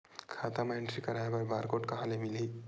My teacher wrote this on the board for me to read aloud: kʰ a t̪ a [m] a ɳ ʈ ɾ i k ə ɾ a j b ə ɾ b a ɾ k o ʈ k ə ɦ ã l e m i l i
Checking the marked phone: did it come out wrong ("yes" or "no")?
no